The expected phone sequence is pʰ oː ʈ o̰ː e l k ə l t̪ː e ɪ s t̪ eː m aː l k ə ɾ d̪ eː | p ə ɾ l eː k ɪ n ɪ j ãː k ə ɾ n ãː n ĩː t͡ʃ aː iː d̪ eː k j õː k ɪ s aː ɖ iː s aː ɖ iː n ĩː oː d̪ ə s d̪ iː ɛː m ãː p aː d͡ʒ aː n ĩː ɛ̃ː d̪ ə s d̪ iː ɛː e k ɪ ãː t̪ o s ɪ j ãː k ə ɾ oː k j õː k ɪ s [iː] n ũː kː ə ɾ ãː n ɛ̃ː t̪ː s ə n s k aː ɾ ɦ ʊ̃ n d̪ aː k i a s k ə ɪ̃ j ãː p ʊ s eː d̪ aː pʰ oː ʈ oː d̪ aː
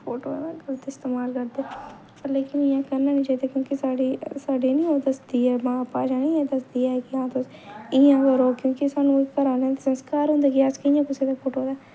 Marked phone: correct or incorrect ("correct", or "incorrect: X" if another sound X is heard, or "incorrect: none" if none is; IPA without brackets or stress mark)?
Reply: incorrect: aː